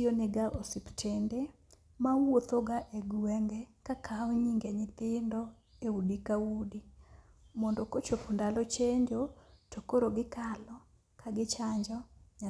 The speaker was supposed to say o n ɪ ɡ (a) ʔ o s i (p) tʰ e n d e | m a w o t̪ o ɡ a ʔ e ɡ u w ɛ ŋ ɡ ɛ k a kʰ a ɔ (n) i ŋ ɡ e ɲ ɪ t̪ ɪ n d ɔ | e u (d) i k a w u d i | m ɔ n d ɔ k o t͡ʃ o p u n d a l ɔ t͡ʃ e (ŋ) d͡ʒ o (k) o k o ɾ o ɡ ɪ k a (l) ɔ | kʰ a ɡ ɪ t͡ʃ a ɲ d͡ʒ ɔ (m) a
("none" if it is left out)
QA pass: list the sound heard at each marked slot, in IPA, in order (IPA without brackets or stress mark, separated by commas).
a, p, ɲ, d, ɲ, t, l, ɲ